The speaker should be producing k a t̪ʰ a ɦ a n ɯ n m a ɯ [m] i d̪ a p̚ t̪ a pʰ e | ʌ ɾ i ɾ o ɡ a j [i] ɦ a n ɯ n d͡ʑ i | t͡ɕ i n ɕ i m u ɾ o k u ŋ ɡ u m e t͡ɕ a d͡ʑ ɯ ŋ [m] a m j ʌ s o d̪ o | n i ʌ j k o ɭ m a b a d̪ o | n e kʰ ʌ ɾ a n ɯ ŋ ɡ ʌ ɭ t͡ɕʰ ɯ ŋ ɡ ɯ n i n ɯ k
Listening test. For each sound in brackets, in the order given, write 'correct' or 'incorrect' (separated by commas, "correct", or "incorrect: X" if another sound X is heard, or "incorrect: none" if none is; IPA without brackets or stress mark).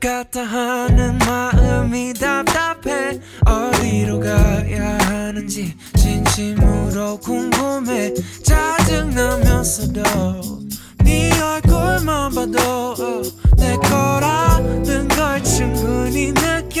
correct, incorrect: a, incorrect: n